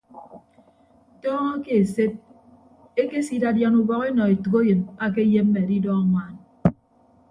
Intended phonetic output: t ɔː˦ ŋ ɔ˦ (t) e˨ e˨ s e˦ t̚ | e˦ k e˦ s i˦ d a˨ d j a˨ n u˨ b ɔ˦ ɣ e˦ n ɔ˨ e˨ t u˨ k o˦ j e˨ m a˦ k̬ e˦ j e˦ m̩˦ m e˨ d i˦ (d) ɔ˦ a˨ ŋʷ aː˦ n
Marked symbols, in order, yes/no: no, yes

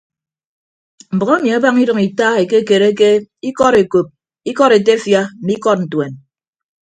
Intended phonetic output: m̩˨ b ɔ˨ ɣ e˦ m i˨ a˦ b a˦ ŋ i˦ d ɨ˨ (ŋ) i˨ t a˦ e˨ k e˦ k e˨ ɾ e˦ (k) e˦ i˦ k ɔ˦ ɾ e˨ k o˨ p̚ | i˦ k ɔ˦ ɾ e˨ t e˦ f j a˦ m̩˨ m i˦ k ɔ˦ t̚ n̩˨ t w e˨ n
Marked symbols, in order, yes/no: yes, yes

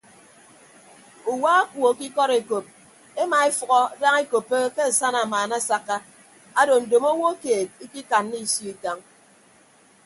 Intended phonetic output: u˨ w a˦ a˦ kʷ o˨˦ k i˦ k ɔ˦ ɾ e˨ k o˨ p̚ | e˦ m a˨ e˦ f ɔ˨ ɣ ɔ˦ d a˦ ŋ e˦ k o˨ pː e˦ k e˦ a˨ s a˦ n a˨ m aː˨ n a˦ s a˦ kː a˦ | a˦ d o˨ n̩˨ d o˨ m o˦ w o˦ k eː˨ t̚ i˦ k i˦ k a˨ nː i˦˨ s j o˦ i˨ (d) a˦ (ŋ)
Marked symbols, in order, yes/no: no, yes

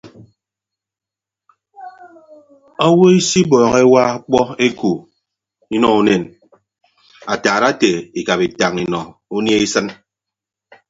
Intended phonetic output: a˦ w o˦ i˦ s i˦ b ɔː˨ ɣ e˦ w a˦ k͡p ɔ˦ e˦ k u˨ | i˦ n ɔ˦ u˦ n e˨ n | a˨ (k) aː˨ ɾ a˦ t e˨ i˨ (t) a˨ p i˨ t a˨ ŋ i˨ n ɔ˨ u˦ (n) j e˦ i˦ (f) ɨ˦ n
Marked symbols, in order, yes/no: no, no, yes, no

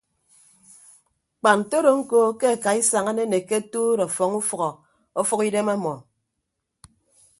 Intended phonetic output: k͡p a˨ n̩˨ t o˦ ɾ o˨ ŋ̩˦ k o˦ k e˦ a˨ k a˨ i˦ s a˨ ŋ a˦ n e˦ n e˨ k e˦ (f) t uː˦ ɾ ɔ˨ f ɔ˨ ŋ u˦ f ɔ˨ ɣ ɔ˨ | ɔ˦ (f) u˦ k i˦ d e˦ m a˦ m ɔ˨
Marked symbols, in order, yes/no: no, yes

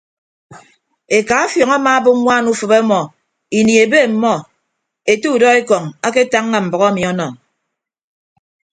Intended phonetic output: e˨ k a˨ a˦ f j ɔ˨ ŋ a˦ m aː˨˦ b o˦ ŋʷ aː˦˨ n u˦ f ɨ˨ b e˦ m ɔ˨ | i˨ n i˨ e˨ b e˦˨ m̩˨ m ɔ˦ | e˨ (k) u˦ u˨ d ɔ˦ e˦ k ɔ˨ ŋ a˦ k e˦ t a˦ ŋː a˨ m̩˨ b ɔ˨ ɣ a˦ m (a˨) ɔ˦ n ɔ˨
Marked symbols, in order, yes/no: no, no

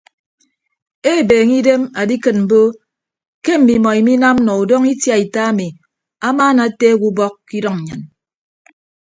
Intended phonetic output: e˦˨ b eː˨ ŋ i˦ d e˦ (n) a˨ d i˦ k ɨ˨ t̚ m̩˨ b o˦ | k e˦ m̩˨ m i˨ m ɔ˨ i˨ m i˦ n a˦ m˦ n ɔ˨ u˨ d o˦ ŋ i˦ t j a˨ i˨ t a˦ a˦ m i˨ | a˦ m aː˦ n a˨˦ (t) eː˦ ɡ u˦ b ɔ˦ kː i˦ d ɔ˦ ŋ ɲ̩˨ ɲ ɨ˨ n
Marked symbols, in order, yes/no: no, yes

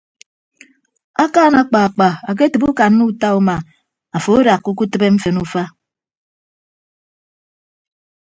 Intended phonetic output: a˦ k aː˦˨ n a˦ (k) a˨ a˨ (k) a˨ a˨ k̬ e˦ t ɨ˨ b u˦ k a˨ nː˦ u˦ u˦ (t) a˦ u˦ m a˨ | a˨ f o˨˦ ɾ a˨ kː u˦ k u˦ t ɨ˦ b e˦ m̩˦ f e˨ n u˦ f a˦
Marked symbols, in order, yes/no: no, no, yes

